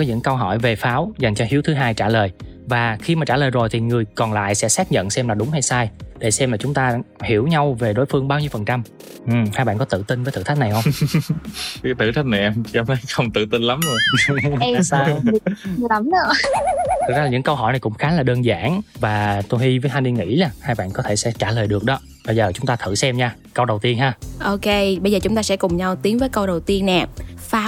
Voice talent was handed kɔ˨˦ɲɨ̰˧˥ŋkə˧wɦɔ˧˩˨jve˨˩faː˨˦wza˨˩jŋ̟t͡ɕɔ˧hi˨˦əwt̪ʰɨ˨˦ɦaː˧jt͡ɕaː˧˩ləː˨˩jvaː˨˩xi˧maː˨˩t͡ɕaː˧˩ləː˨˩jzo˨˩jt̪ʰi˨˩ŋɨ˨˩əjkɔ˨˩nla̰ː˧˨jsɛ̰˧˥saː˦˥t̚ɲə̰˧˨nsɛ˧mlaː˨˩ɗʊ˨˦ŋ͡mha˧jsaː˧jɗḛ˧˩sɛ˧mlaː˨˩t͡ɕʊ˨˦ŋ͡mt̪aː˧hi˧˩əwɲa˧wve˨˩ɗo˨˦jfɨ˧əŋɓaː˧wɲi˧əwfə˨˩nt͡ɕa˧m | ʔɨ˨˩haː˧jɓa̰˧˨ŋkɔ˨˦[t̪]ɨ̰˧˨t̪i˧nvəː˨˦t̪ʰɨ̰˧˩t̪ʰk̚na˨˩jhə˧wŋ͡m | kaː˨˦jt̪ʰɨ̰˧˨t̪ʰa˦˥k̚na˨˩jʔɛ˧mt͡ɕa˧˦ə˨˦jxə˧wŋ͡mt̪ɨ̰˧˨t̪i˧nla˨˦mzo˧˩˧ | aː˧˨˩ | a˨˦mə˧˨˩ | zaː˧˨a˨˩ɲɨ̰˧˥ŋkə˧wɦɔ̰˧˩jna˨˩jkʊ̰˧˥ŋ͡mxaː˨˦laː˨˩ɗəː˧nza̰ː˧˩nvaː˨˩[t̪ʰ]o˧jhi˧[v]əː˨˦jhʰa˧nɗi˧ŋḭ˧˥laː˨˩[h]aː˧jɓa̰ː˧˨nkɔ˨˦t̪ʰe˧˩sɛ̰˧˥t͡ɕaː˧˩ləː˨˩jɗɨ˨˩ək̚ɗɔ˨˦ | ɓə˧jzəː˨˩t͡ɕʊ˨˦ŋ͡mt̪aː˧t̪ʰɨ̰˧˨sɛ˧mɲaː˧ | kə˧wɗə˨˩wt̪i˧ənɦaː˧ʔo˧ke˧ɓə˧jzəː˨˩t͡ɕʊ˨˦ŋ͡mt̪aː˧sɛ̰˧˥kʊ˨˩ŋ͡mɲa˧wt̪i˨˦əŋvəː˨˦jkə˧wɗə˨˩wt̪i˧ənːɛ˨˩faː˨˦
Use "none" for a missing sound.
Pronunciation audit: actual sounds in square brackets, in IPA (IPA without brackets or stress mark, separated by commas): t̪, t̪, v, h